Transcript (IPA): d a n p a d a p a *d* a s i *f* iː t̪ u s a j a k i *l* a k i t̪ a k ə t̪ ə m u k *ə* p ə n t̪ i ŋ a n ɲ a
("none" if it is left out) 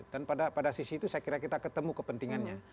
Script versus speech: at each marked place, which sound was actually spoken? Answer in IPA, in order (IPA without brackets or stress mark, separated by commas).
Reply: d, s, ɾ, ə